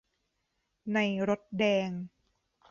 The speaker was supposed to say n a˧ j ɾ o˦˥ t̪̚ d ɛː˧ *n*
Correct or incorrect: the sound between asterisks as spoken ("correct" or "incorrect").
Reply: incorrect